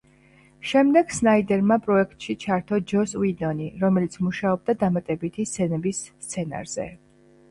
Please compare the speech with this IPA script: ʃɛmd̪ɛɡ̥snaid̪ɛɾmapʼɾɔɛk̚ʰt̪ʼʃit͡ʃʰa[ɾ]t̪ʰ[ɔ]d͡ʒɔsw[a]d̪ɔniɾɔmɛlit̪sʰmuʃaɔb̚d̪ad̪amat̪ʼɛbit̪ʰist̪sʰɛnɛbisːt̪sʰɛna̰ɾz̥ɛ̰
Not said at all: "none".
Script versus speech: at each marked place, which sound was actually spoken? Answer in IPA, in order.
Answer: ɾ, ɔ, i

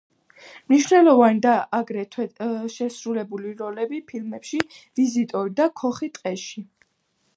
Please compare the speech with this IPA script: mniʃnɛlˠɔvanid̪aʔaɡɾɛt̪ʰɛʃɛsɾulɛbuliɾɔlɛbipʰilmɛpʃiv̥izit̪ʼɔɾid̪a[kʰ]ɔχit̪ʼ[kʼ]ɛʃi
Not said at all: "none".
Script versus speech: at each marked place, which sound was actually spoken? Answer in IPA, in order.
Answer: kʰ, qʼ

